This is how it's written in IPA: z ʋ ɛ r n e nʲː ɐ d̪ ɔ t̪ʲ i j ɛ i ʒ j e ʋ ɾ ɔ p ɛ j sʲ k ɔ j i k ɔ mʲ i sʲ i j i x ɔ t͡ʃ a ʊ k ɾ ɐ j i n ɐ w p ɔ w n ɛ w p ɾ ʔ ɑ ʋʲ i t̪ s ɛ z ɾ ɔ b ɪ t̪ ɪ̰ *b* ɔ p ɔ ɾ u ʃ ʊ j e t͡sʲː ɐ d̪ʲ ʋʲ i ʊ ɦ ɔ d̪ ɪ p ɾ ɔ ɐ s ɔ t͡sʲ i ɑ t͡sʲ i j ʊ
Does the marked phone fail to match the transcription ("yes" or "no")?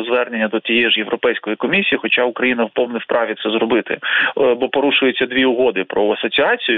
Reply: no